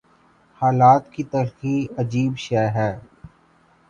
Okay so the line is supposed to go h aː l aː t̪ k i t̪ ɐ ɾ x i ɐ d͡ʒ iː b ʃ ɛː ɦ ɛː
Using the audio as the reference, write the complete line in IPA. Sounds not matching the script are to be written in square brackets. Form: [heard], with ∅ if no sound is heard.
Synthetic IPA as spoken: h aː l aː t̪ k i t̪ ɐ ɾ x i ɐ d͡ʒ iː b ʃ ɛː ɦ ɛː